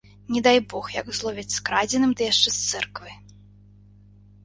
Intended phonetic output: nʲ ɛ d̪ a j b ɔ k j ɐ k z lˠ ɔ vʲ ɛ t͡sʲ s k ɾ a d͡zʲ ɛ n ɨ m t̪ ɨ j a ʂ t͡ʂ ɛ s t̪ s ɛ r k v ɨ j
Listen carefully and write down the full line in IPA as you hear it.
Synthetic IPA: nʲ ɛ d̪ a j b ɔ x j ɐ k z lˠ ɔ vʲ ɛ t͡sʲ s k ɾ a d͡zʲ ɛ n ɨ m d̪ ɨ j a ʂ t͡ʂ ɛ s t̪ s ɛ r k v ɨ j